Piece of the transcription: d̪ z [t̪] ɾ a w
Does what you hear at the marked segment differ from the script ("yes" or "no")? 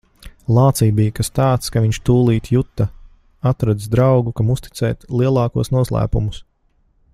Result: yes